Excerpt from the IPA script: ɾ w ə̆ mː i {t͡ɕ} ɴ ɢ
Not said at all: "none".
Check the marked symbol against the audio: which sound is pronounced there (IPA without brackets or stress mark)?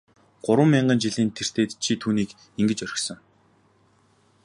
none